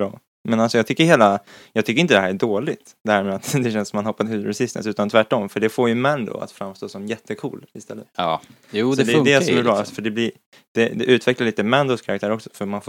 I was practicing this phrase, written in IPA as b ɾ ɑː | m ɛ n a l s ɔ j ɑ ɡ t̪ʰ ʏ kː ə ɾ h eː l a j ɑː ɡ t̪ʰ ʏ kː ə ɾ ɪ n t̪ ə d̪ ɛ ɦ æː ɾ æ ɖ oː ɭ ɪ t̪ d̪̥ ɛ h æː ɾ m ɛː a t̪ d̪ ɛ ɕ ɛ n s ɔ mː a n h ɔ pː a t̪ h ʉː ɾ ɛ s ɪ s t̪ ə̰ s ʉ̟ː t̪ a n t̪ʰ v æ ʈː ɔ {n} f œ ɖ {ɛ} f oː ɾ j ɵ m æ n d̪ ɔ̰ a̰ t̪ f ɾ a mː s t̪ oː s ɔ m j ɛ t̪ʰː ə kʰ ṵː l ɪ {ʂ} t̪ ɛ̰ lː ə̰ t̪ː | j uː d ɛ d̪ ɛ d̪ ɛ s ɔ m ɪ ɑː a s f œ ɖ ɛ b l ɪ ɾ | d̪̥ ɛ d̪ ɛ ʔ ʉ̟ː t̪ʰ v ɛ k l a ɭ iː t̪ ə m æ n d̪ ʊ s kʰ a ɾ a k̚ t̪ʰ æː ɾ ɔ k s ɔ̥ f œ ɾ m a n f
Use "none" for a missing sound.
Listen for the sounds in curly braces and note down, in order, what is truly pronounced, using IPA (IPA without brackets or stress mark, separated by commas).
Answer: m, ɛ, s